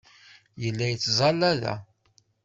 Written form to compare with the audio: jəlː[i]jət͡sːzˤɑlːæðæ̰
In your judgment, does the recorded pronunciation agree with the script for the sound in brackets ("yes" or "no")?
no